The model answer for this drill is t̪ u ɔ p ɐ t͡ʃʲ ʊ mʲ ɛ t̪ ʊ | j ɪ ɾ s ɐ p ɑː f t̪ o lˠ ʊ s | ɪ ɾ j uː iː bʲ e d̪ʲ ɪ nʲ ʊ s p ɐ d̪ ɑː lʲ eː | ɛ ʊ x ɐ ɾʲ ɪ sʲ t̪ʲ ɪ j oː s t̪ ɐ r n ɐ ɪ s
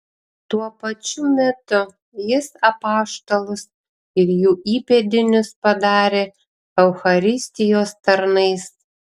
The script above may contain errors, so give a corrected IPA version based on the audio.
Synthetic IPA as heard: t̪ u ɔ p ɐ t͡ʃʲ ʊ mʲ ɛ t̪ ʊ | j ɪ s ɐ p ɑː ʃ t̪ o lˠ ʊ s | ɪ ɾ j uː iː pʲ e d̪ʲ ɪ nʲ ʊ s p ɐ d̪ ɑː ɾʲ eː | ɛ ʊ x ɐ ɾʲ ɪ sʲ t̪ʲ ɪ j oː s t̪ ɐ ɾ n ɐ ɪ s